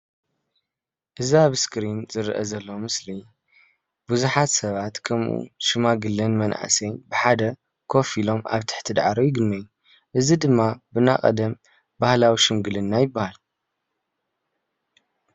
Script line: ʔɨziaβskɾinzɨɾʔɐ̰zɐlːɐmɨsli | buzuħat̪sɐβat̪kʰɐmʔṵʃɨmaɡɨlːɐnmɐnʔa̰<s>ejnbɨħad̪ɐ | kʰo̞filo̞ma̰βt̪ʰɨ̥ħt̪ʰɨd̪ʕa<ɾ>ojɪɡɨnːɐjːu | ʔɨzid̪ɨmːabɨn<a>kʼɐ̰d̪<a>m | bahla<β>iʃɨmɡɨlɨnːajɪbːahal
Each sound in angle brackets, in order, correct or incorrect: correct, correct, correct, incorrect: ɐ, incorrect: w

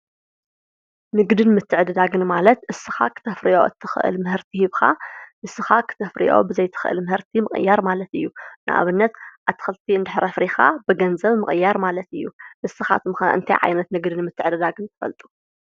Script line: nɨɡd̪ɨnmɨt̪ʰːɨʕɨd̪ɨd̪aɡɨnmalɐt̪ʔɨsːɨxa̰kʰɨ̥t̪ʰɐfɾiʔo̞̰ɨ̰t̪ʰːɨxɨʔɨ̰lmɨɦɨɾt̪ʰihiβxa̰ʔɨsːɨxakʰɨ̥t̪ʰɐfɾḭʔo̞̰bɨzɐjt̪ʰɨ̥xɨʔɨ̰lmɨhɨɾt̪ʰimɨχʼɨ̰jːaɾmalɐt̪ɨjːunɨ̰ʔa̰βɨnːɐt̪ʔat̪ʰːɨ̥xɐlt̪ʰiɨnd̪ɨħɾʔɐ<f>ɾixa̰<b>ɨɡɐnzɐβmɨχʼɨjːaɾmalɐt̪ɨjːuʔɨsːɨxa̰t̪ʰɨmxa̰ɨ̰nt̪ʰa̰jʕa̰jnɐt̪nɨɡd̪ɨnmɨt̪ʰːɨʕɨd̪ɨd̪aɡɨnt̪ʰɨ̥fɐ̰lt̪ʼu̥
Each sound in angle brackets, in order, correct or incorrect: correct, correct

